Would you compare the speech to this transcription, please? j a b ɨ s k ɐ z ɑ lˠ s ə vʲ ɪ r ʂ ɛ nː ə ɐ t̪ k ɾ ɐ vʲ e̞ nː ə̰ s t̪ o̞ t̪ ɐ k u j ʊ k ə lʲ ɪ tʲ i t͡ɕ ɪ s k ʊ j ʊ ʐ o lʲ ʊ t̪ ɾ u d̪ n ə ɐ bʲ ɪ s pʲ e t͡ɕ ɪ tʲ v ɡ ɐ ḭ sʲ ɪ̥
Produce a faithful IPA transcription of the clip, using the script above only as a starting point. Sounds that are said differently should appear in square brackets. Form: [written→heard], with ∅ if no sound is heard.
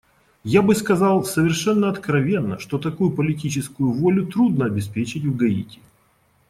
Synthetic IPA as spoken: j a b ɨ s k ɐ z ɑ lˠ s ə vʲ ɪ r ʂ ɛ nː ə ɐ t̪ k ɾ ɐ vʲ e̞ nː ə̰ [s→ʂ] t̪ o̞ t̪ ɐ k u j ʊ [k→p] ə lʲ ɪ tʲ i t͡ɕ ɪ s k ʊ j ʊ [ʐ→v] o lʲ ʊ t̪ ɾ u d̪ n ə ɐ bʲ ɪ s pʲ e t͡ɕ ɪ tʲ v ɡ ɐ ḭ [sʲ→tʲ] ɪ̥